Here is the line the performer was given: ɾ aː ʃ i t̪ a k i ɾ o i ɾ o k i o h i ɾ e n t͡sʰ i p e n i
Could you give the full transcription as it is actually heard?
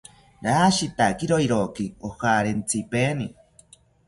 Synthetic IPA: ɾ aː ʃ i t̪ a k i ɾ o i ɾ o k i o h a ɾ e n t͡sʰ i p e n i